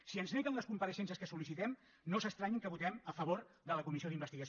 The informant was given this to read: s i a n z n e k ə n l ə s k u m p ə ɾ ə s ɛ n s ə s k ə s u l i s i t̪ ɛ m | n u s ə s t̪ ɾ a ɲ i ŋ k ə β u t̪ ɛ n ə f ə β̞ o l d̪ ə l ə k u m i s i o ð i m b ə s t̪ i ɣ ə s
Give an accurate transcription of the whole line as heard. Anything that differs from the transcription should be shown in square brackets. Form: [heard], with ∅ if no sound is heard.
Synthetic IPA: s i [ə] n z n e k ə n l ə s k u m p ə ɾ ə [ʃ] ɛ n s ə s k ə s u l i s i t̪ ɛ m | n [o] s ə s t̪ ɾ a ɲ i ŋ k ə β u t̪ ɛ [m] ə f ə β̞ o [ɾ] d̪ ə l ə k u m i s i o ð i m b ə s t̪ i ɣ ə s